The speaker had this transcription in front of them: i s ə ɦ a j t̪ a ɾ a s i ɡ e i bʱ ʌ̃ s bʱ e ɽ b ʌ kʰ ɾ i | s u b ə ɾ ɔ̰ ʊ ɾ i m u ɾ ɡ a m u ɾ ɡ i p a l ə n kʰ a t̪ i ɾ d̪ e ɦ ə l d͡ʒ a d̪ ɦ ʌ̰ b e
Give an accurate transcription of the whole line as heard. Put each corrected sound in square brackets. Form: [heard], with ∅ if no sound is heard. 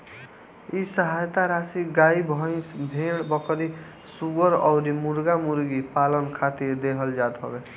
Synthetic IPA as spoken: i s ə ɦ a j t̪ a ɾ a s i ɡ [a] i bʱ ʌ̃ s bʱ e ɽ b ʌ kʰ ɾ i | s u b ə ɾ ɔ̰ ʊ ɾ i m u ɾ ɡ a m u ɾ ɡ i p a l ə n kʰ a t̪ i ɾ d̪ e ɦ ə l d͡ʒ a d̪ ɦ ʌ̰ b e